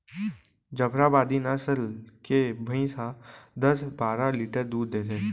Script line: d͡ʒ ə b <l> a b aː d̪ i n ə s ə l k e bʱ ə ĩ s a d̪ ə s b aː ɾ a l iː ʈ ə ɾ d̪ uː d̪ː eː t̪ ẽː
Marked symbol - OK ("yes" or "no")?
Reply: no